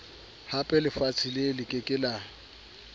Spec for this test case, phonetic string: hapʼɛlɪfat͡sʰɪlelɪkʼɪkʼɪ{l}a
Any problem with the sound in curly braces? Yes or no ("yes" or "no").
no